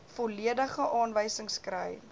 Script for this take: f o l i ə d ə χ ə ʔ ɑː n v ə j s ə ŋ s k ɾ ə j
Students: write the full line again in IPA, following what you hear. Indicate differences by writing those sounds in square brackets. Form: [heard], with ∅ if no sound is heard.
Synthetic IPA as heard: f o l i ə d ə χ ə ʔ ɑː n v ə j s ə ŋ s k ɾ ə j